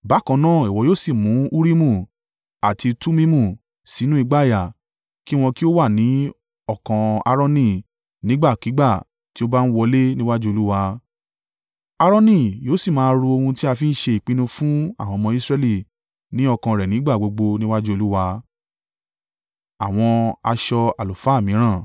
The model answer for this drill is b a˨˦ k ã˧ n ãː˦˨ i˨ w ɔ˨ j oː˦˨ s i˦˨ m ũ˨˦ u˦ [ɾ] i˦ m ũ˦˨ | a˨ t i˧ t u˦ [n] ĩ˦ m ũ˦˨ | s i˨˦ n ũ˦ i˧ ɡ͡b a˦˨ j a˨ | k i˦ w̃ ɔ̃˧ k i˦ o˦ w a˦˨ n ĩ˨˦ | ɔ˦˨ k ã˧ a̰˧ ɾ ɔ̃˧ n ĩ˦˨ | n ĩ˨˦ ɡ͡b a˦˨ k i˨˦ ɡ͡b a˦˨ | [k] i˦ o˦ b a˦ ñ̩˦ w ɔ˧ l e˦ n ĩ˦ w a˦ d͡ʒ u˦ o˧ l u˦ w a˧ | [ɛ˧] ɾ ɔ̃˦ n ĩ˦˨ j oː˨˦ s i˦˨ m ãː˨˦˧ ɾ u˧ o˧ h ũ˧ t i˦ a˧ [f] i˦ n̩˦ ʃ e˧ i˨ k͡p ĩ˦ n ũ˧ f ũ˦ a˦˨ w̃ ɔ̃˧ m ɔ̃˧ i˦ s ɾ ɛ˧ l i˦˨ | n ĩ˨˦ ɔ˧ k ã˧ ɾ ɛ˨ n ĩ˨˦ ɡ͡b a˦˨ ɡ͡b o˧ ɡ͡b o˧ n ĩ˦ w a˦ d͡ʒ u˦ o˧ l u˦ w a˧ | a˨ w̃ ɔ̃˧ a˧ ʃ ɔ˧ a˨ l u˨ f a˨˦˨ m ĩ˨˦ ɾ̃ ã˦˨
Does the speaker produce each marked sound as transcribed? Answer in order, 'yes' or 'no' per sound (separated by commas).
yes, no, no, no, yes